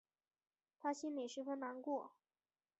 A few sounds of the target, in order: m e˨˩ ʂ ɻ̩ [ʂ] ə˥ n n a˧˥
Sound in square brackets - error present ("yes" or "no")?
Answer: yes